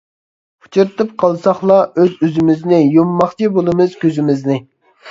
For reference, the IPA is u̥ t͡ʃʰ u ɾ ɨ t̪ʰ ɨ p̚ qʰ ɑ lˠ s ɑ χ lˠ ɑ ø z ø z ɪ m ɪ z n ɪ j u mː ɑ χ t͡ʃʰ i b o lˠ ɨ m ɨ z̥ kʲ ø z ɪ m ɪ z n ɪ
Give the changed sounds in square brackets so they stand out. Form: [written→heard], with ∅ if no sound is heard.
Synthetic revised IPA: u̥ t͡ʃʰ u ɾ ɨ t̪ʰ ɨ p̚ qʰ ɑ lˠ s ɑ χ lˠ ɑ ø z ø z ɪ m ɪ z n ɪ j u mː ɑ χ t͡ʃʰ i b o lˠ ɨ m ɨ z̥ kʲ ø z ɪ m ɪ z n ɪ